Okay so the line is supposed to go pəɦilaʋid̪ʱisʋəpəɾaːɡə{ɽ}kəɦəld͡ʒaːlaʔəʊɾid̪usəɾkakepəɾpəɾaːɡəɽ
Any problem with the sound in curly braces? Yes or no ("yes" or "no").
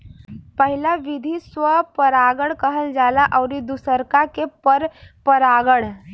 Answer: no